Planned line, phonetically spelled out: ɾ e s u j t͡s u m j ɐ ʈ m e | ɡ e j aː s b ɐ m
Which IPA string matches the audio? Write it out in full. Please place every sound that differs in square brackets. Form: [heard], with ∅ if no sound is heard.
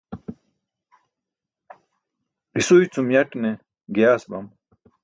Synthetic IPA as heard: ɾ [i] s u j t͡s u m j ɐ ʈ [n] e | ɡ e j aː s b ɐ m